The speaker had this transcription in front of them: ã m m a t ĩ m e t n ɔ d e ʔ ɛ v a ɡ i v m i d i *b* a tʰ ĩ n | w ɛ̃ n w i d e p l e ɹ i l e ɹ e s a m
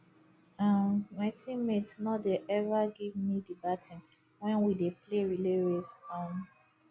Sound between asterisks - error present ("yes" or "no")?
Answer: no